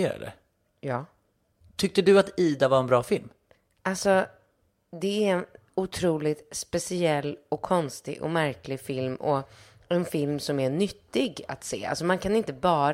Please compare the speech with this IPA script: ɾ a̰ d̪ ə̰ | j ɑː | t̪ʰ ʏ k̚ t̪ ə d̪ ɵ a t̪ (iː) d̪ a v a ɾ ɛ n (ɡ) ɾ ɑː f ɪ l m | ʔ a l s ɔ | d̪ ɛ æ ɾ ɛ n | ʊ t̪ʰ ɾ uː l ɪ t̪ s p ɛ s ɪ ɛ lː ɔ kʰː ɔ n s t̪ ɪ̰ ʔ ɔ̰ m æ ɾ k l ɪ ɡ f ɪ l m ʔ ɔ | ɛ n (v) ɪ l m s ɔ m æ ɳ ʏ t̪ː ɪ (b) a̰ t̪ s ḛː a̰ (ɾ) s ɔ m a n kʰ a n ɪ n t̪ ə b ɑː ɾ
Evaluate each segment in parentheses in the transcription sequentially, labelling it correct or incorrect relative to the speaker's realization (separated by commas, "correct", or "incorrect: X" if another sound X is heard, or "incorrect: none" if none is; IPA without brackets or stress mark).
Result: correct, incorrect: b, incorrect: f, incorrect: ɡ, incorrect: l